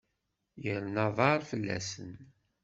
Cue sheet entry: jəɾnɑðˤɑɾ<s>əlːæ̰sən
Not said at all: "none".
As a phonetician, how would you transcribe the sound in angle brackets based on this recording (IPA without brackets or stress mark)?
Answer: f